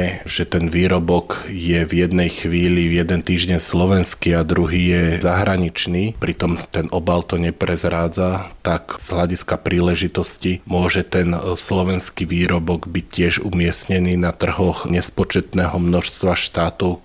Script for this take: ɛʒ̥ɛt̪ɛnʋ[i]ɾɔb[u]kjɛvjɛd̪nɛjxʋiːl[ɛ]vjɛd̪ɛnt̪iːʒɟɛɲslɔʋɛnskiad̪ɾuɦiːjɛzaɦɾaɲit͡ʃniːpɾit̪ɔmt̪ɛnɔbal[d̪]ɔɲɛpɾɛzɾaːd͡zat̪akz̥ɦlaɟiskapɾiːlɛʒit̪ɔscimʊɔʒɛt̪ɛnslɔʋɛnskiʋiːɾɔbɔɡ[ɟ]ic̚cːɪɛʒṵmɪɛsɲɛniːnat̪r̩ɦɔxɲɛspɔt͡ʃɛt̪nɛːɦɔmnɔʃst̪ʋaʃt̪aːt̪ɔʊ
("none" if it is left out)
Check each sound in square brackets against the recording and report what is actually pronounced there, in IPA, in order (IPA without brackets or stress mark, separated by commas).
iː, ɔ, i, t̪, b